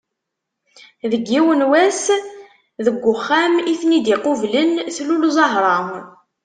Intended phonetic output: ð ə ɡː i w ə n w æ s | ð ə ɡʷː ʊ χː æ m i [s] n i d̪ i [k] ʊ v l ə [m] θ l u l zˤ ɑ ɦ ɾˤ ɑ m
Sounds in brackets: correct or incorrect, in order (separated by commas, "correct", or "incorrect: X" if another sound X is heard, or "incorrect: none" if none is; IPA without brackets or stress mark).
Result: incorrect: θ, incorrect: q, incorrect: n